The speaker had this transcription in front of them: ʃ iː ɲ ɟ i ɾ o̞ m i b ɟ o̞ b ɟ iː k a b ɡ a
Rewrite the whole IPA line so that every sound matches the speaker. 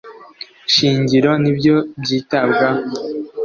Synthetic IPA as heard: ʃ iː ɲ ɟ i ɾ o̞ n i b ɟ o̞ b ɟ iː t a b ɡ a

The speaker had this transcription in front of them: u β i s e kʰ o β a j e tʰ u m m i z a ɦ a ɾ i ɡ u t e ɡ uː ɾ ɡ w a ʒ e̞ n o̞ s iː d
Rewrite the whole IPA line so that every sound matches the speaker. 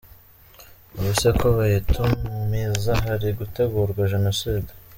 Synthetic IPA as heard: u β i s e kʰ o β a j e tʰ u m m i z a ɦ a ɾ i ɡ u t e ɡ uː ɾ ɡ w a ʒ e̞ n o̞ s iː d

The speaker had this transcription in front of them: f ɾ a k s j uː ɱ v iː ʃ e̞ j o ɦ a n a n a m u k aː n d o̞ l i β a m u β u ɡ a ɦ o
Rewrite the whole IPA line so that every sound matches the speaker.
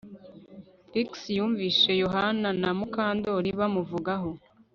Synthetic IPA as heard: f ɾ i k s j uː ɱ v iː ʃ e̞ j o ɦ a n a n a m u k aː n d o̞ ɾ i β a m u v u ɡ a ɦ o

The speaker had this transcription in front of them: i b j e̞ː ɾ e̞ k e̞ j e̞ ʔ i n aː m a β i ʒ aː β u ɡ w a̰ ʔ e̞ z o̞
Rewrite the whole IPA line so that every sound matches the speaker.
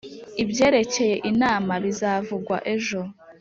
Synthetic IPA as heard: i b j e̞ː ɾ e̞ c e̞ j e̞ ʔ i n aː m a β i z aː v u ɡ w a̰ ʔ e̞ ʒ o̞

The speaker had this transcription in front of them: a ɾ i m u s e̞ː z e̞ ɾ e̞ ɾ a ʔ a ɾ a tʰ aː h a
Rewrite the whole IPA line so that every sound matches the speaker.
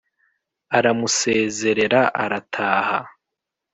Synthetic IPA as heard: a ɾ a m u s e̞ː z e̞ ɾ e̞ ɾ a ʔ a ɾ a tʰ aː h a

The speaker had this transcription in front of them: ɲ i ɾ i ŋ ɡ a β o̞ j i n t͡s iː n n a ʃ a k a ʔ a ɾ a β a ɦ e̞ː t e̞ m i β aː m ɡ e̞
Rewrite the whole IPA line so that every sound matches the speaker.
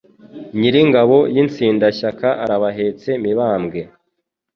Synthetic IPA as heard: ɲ i ɾ i ŋ ɡ a β o̞ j i n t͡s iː n d a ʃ a k a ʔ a ɾ a β a ɦ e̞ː t͡s e̞ m i β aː m ɡ e̞

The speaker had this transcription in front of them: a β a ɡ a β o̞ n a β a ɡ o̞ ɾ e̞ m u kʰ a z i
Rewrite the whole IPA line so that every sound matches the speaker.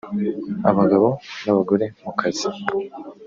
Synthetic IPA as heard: a β a ɡ a β o̞ n a β a ɡ o̞ ɾ e̞ m u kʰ a z i

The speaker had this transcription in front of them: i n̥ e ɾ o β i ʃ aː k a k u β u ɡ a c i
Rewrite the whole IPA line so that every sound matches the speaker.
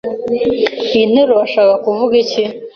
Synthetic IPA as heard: i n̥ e ɾ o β a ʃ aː k a k u v u ɡ i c i

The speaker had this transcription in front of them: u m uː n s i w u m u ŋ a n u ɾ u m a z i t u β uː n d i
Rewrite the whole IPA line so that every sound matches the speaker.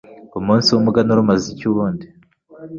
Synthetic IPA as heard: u m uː n s i w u m u ɡ a n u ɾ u m a z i c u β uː n d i

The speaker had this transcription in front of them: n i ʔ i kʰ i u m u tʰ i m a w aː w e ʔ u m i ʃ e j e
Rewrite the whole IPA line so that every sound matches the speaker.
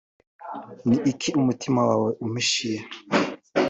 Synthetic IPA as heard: n i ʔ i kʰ i u m u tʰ i m a w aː w e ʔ u m i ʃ i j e

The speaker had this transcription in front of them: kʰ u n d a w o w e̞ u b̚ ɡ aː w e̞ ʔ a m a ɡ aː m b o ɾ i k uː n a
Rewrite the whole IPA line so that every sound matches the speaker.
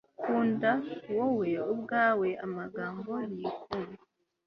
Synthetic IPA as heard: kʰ uː n d a w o w e̞ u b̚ ɡ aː w e̞ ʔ a m a ɡ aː m b o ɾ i k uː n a

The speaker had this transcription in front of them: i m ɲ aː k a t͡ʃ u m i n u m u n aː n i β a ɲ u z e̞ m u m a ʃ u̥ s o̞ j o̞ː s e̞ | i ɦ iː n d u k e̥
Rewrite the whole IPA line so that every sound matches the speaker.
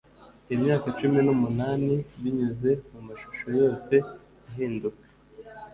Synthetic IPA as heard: i m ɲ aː k a t͡ʃ u m i n u m u n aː n i β i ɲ u z e̞ m u m a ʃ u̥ ʃ o̞ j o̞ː s e̞ | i ɦ iː n d u k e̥

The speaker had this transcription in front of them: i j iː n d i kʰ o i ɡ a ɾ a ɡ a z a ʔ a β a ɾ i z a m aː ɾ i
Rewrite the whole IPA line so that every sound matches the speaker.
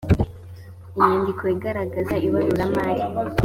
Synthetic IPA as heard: i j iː n d i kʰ o i ɡ a ɾ a ɡ a z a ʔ i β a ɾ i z a m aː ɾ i

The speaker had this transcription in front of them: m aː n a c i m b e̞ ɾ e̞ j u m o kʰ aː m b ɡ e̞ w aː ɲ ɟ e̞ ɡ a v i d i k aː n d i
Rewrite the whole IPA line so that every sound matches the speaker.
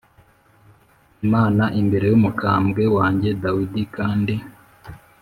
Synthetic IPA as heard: m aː n a ʔ i m b e̞ ɾ e̞ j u m u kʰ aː m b ɡ e̞ w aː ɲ ɟ e̞ d a w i d i k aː n d i

